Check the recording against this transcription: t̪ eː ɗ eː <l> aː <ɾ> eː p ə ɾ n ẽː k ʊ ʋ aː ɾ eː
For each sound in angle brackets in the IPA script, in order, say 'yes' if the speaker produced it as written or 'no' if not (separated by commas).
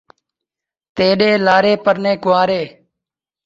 yes, yes